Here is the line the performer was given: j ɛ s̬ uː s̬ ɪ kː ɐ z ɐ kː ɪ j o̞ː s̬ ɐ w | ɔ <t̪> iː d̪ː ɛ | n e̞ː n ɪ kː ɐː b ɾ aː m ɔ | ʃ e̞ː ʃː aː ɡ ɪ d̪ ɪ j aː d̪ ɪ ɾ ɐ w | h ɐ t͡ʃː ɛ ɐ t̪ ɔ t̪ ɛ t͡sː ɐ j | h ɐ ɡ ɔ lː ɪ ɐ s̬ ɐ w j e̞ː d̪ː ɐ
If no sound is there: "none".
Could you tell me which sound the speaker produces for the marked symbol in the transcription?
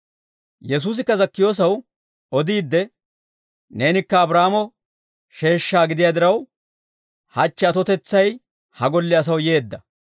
d̪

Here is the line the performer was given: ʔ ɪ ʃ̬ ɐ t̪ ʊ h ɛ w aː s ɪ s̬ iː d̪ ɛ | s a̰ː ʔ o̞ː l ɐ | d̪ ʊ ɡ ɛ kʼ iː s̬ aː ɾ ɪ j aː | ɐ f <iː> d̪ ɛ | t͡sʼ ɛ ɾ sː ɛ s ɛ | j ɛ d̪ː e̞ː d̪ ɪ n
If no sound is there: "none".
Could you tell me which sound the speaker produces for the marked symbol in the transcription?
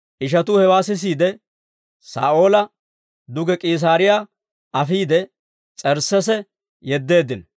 iː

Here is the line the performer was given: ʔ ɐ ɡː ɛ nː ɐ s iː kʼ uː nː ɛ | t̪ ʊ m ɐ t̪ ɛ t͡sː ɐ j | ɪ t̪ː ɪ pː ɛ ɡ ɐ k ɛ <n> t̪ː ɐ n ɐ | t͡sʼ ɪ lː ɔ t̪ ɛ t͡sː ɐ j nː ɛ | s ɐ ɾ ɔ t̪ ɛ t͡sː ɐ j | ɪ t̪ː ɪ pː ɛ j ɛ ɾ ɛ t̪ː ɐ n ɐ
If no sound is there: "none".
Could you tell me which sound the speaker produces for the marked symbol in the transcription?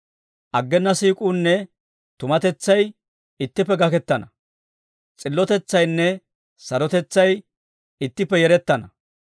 none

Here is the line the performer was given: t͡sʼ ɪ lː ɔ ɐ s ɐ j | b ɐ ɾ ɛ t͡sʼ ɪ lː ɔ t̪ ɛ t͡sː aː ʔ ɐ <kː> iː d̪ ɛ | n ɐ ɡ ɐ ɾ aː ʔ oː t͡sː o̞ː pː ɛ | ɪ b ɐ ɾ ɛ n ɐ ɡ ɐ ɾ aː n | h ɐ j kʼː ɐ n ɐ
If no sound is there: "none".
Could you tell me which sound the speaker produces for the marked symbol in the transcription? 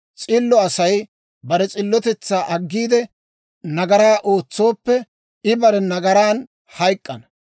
ɡː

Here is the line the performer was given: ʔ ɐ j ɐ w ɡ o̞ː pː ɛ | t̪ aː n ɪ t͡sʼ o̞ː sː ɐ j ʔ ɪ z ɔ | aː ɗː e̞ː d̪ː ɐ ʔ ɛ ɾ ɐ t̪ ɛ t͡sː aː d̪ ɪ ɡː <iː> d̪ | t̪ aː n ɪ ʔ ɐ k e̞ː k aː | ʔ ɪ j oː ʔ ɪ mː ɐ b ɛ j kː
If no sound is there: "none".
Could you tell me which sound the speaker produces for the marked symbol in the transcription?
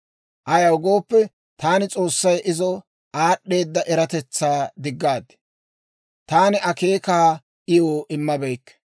aː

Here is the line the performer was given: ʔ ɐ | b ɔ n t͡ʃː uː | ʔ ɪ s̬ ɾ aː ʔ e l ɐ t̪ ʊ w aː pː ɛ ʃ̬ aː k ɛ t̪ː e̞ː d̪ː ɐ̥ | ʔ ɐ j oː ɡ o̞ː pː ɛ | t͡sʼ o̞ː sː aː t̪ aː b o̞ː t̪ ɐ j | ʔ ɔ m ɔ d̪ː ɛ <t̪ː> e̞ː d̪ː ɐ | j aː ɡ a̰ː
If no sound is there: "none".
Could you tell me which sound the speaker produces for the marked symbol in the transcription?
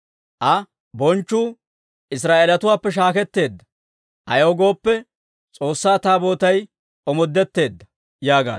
t̪ː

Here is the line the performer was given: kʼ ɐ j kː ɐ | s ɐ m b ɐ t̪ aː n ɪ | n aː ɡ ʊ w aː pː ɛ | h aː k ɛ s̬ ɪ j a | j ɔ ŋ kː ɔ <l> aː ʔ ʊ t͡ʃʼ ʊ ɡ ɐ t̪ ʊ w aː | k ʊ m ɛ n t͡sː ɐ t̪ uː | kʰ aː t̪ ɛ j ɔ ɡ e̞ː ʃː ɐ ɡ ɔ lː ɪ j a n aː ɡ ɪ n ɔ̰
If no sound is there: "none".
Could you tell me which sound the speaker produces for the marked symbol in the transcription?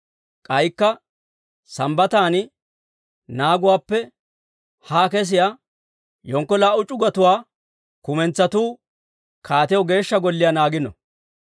l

